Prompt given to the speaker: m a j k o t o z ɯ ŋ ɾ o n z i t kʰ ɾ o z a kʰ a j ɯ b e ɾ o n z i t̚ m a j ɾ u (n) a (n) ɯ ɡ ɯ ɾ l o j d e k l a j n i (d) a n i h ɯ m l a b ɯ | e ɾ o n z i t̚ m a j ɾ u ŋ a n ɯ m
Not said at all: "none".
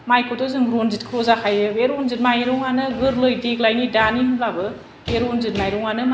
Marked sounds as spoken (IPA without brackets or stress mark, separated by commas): ŋ, n, d